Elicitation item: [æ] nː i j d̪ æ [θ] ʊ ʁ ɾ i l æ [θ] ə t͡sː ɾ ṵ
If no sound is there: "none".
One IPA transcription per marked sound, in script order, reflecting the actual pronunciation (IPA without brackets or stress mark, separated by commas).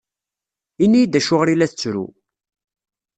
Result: i, ʃ, θ